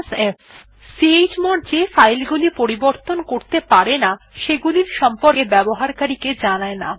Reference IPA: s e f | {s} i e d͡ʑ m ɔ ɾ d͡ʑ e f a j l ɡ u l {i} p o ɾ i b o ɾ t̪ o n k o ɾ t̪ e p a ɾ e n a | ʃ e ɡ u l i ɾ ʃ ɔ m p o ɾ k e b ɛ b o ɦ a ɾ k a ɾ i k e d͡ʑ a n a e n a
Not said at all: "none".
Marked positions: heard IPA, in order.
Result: s, i

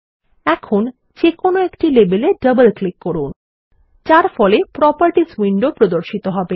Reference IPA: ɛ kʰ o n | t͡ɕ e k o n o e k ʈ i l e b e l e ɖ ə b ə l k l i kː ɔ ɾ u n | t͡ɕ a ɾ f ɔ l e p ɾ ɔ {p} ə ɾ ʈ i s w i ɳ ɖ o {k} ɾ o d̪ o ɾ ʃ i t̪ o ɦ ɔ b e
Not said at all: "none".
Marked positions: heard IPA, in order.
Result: p, p

